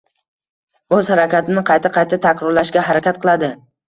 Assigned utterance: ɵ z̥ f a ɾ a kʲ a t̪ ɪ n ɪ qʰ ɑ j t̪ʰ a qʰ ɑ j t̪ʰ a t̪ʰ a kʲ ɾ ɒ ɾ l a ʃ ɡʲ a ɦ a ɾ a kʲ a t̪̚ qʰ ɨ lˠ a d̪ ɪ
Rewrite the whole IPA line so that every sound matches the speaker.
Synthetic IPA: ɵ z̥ h a ɾ a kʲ a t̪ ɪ n ɪ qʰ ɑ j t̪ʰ a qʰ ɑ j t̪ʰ a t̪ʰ a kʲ ɾ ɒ ɾ l a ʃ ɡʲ a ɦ a ɾ a kʲ a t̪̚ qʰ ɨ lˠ a d̪ ɪ